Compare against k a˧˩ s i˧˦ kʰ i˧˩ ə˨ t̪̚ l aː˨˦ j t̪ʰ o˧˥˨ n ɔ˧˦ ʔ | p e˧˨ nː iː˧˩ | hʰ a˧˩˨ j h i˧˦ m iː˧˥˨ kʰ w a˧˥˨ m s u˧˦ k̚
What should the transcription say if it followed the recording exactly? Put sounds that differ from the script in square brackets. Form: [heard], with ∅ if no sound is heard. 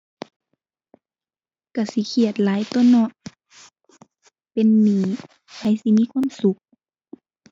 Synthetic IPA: k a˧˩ s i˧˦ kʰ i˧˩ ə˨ t̪̚ l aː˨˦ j [t̪] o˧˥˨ n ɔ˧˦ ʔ | p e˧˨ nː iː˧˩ | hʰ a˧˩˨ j [s] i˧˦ m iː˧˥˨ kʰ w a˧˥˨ m s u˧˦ k̚